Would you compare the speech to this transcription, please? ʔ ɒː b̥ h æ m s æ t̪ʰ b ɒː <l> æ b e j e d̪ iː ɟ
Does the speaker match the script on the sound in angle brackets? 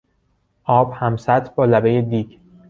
yes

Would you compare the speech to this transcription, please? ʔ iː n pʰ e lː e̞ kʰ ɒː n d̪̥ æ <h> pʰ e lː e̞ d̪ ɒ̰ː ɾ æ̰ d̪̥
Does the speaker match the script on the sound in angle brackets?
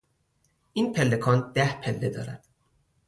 yes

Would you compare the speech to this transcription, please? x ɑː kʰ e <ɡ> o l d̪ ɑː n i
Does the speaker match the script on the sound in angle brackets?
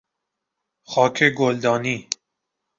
yes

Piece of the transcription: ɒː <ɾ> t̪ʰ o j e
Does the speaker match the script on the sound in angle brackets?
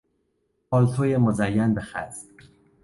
no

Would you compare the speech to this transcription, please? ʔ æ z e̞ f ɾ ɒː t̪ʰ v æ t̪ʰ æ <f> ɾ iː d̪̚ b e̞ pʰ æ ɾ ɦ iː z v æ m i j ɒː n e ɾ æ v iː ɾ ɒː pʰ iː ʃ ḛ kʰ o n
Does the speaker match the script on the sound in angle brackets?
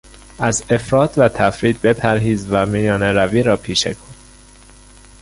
yes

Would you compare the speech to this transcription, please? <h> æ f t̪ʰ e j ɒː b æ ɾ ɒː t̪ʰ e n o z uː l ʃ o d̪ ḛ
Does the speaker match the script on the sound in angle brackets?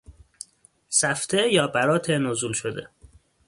no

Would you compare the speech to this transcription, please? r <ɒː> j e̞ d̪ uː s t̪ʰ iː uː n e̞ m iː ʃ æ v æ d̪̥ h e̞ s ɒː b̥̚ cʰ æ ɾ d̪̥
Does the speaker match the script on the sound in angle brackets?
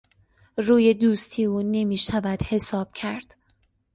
no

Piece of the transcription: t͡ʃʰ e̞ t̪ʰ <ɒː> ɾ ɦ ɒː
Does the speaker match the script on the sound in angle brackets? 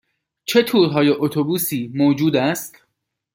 no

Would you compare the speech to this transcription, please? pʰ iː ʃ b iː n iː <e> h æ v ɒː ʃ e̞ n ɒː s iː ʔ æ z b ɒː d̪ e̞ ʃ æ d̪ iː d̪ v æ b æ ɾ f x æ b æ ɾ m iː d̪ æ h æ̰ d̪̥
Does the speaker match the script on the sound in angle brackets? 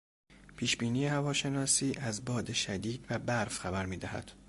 yes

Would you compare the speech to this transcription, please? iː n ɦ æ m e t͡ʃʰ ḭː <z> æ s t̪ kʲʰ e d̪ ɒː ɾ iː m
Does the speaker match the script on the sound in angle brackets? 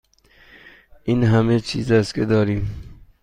yes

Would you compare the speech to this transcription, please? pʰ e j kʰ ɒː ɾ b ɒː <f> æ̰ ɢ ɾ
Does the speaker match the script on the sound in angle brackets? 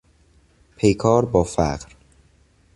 yes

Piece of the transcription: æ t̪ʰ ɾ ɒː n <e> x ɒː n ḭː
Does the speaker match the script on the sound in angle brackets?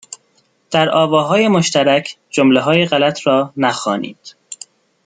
no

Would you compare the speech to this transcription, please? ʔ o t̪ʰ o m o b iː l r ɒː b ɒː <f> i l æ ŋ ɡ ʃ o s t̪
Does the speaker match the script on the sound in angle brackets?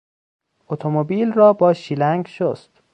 no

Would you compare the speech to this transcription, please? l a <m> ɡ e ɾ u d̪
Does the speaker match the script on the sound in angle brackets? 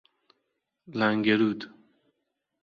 no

